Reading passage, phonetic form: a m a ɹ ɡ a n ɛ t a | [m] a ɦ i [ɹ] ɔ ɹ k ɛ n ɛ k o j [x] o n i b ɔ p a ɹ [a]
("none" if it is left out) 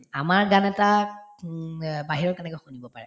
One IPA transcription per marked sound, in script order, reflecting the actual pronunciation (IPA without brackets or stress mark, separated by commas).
b, ɹ, x, ɛ